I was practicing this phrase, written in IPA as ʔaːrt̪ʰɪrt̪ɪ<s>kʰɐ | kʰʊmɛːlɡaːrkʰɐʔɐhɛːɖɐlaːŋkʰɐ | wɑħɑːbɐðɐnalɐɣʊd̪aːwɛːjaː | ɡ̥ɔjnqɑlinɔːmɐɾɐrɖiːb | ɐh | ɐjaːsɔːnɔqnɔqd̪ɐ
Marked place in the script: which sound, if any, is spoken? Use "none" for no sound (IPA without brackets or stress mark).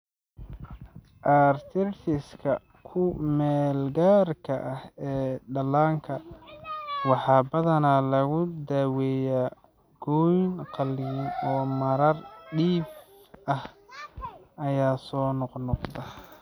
s